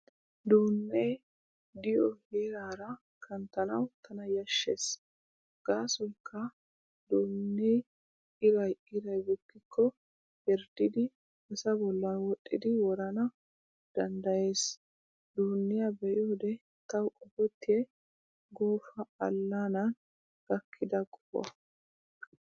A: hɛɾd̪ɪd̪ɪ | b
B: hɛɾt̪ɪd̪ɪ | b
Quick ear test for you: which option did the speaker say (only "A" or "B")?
A